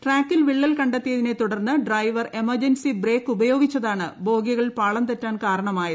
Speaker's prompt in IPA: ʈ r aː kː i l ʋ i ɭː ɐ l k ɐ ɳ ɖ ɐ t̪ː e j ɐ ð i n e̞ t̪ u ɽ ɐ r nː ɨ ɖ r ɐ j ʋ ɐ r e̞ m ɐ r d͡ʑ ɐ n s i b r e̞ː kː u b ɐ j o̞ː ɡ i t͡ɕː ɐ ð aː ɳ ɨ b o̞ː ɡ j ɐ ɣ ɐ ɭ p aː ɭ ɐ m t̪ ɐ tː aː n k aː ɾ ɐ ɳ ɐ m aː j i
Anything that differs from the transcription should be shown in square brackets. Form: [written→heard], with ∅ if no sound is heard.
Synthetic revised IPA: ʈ r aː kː i l ʋ i ɭː ɐ l k ɐ ɳ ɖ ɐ t̪ː [e→i] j ɐ ð i n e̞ t̪ u ɽ ɐ r nː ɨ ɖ r ɐ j ʋ ɐ r e̞ m ɐ r d͡ʑ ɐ n s i b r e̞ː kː u b ɐ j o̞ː ɡ i t͡ɕː ɐ ð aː ɳ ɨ b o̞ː ɡ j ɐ ɣ ɐ ɭ p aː ɭ ɐ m t̪ ɐ tː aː n k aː ɾ ɐ ɳ ɐ m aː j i